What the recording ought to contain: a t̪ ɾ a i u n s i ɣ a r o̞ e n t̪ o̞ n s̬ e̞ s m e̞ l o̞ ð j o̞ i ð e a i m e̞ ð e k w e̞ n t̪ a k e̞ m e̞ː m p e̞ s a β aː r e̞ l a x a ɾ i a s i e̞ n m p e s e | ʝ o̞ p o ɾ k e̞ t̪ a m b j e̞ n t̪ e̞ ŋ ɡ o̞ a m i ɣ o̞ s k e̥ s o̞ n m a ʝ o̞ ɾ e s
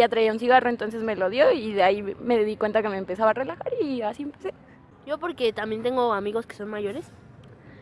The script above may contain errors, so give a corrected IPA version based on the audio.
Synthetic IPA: a t̪ ɾ a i u n s i ɣ a r o̞ e n t̪ o̞ n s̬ e̞ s m e̞ l o̞ ð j o̞ i ð e a i m e̞ ð i k w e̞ n t̪ a k e̞ m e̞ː m p e̞ s a β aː r e̞ l a x a ɾ i a s i e̞ m p e s e | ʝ o̞ p o ɾ k e̞ t̪ a m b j e̞ n t̪ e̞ ŋ ɡ o̞ a m i ɣ o̞ s k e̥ s o̞ n m a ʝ o̞ ɾ e s

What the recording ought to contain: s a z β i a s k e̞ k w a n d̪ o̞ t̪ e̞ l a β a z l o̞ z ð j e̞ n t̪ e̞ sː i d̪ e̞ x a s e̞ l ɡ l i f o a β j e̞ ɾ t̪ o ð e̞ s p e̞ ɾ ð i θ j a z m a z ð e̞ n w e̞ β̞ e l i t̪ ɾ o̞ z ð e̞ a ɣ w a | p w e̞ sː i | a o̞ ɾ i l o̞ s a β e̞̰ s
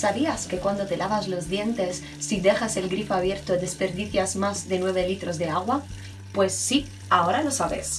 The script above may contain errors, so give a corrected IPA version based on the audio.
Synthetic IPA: s a β i a s k e̞ k w a n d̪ o̞ t̪ e̞ l a β a z l o̞ z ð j e̞ n t̪ e̞ sː i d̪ e̞ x a s e̞ l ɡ ɾ i f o a β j e̞ ɾ t̪ o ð e̞ s p e̞ ɾ ð i θ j a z m a z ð e̞ n w e̞ β̞ e l i t̪ ɾ o̞ z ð e̞ a ɣ w a | p w e̞ sː i | a o̞ ɾ a l o̞ s a β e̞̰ s

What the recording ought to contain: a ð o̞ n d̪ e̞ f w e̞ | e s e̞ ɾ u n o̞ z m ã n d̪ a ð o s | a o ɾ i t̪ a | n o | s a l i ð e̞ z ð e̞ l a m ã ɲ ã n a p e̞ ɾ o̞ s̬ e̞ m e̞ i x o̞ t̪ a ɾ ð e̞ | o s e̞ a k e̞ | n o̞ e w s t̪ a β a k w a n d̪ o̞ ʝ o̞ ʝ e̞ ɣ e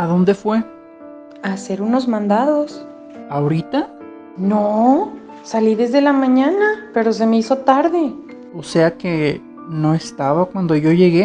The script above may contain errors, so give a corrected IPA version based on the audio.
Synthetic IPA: a ð o̞ n d̪ e̞ f w e̞ | a s e̞ ɾ u n o̞ z m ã n d̪ a ð o s | a o ɾ i t̪ a | n o | s a l i ð e̞ z ð e̞ l a m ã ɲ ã n a p e̞ ɾ o̞ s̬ e̞ m e̞ i s o̞ t̪ a ɾ ð e̞ | o s e̞ a k e̞ | n o̞ e s t̪ a β a k w a n d̪ o̞ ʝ o̞ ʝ e̞ ɣ e

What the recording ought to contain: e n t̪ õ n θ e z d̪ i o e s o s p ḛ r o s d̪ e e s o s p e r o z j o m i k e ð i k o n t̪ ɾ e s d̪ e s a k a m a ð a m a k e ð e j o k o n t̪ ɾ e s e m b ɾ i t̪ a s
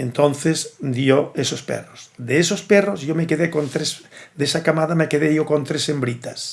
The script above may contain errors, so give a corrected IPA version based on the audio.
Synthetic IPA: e n t̪ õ n θ e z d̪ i o e s o s p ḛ r o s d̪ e e s o s p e r o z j o m e k e ð e k o n t̪ ɾ e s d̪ e s a k a m a ð a m e k e ð e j o k o n t̪ ɾ e s e m b ɾ i t̪ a s

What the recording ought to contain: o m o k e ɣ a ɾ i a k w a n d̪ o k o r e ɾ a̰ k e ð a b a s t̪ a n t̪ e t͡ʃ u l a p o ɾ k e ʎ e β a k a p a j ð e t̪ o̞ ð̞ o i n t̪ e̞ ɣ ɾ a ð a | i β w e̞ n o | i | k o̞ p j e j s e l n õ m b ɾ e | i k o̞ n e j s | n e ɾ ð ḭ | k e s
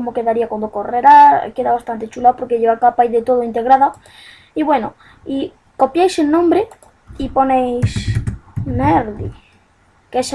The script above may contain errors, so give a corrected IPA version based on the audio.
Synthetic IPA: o m o k e ð a ɾ i a k w a n d̪ o k o r e ɾ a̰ k e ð a β a s t̪ a n t̪ e t͡ʃ u l a p o ɾ k e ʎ e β a k a p a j ð e t̪ o̞ ð̞ o i n t̪ e̞ ɣ ɾ a ð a | i β w e̞ n o | i | k o̞ p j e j s e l n õ m b ɾ e | i p o̞ n e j s | n e ɾ ð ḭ | k e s

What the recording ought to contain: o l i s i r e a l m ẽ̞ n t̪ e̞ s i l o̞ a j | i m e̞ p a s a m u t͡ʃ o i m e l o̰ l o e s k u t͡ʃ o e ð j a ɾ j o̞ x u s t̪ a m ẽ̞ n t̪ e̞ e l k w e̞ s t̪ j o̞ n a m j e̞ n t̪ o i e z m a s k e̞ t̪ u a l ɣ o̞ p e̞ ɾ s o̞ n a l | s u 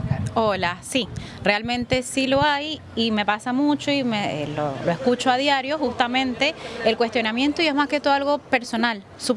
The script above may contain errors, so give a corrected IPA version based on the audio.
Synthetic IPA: o l a s i r e a l m ẽ̞ n t̪ e̞ s i l o̞ a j | i m e̞ p a s a m u t͡ʃ o i m e l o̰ l o e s k u t͡ʃ o a ð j a ɾ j o̞ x u s t̪ a m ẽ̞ n t̪ e̞ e l k w e̞ s t̪ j o̞ n a m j e̞ n t̪ o i e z m a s k e̞ t̪ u a l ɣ o̞ p e̞ ɾ s o̞ n a l | s u

